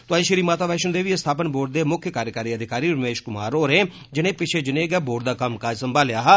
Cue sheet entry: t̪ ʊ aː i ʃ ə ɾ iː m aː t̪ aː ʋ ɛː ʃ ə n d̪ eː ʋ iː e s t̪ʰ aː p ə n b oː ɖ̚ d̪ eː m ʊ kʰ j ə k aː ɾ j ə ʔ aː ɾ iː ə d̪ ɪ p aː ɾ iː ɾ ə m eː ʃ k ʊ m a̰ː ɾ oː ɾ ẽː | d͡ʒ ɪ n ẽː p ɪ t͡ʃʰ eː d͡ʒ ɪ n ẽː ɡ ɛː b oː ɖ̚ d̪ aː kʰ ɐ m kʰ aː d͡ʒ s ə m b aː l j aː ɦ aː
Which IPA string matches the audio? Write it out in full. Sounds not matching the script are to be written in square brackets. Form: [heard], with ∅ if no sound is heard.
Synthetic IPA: t̪ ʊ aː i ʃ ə ɾ iː m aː t̪ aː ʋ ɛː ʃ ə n d̪ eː ʋ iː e s t̪ʰ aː p ə n b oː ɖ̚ d̪ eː m ʊ kʰ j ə k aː ɾ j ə [k] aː ɾ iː ə d̪ ɪ [k] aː ɾ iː ɾ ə m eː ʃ k ʊ m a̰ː ɾ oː ɾ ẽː | d͡ʒ ɪ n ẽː p ɪ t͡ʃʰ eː d͡ʒ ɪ n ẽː ɡ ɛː b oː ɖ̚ d̪ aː [k] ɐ m [k] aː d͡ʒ s ə m b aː l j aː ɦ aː